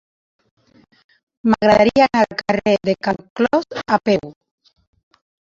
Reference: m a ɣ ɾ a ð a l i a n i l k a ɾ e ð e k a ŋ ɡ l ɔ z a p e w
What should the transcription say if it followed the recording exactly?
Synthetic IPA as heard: m a ɣ ɾ a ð a ɾ i a n a l k a r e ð e k a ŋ k l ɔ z a p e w